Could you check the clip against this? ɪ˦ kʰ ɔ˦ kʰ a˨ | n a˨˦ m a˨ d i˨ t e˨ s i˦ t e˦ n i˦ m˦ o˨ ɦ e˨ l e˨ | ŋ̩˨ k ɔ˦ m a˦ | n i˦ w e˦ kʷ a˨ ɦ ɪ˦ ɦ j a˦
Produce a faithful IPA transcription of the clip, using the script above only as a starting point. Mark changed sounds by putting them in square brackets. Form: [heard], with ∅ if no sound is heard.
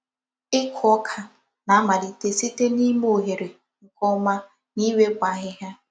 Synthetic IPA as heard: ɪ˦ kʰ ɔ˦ kʰ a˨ | n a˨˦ m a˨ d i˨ t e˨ s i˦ t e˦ n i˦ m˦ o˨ ɦ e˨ [ɾ] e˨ | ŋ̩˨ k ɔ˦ m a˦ | n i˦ w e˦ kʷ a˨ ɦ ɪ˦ ɦ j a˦